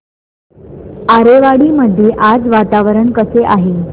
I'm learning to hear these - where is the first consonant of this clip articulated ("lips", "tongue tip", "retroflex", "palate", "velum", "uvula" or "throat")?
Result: tongue tip